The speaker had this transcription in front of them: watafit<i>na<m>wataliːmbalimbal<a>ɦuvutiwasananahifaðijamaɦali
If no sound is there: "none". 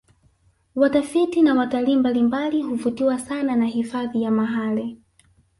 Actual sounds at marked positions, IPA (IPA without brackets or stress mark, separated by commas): i, none, i